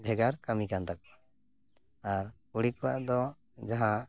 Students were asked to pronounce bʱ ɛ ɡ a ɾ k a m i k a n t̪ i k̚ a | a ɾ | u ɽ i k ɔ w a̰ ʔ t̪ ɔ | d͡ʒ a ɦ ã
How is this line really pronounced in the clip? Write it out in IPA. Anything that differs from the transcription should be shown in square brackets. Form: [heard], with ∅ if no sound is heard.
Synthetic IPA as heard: bʱ ɛ ɡ a ɾ k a m i k a n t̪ [a] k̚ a | a ɾ | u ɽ i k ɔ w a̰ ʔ [d̪] ɔ | d͡ʒ a ɦ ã